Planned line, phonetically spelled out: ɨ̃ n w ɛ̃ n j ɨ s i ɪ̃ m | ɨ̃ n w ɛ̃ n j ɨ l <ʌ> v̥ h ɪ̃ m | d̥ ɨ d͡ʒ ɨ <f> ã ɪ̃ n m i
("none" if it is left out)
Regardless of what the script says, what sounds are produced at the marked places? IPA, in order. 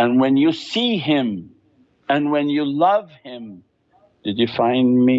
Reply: ʌ, f

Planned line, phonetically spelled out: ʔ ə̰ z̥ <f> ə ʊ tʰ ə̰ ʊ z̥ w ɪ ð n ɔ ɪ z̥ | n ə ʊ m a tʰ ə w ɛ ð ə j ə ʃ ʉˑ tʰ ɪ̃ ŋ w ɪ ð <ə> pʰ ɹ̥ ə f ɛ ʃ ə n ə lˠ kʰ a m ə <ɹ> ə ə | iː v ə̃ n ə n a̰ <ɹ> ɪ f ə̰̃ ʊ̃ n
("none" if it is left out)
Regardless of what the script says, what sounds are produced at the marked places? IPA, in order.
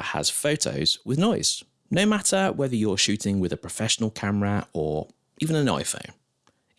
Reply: f, ə, ɹ, none

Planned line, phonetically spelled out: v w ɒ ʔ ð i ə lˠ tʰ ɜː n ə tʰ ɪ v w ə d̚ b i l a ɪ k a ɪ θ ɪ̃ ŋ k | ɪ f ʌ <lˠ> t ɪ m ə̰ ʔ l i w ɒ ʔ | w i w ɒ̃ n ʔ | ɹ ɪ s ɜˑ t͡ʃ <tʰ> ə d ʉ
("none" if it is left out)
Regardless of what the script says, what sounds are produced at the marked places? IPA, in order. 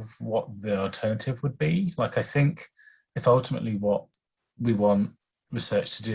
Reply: lˠ, tʰ

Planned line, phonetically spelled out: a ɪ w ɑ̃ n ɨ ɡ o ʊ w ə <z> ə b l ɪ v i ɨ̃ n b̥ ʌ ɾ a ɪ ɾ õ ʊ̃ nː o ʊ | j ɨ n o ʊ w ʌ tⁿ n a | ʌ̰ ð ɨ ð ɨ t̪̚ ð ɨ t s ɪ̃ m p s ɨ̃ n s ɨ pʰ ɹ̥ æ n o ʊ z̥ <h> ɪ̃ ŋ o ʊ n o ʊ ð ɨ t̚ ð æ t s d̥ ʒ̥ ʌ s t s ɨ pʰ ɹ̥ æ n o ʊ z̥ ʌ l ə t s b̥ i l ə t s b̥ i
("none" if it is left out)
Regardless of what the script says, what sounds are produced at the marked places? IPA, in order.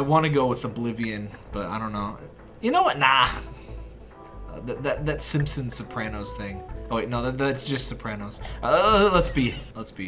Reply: ð, θ

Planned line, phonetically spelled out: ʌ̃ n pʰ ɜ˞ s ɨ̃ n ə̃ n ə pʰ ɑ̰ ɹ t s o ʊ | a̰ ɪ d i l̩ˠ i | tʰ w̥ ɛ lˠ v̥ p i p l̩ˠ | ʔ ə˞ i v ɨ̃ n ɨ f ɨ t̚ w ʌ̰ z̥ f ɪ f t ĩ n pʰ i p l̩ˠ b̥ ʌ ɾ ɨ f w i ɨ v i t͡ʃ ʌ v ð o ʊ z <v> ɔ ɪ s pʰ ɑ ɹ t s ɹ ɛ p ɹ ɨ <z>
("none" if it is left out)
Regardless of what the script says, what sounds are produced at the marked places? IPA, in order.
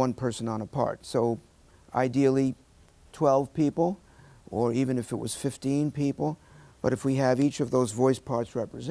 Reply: v, z

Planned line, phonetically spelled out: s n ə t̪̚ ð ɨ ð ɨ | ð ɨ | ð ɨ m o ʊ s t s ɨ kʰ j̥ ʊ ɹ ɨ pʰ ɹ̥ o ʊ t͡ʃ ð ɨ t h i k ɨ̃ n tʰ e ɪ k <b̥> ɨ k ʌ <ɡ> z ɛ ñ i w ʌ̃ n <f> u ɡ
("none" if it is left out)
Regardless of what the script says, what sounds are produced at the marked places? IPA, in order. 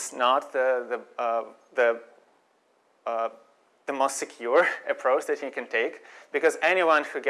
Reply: b̥, none, h

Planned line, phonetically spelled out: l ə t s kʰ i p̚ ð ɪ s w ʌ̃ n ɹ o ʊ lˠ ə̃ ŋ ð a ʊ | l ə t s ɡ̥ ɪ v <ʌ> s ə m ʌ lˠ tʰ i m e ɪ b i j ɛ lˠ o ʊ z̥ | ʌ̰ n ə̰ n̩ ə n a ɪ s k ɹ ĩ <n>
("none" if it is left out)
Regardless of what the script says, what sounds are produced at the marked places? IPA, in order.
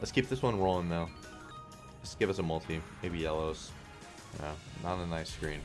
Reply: ʌ, n

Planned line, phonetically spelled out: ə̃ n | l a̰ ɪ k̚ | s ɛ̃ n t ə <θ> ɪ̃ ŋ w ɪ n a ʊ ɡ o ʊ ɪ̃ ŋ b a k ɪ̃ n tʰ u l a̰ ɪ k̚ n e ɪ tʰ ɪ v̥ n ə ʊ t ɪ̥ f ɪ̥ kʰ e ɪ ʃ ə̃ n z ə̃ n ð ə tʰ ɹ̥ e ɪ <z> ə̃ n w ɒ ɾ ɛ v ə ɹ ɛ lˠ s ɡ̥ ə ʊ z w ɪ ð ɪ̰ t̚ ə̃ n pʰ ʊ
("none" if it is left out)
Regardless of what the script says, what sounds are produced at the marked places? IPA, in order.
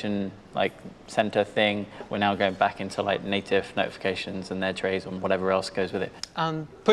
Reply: θ, z

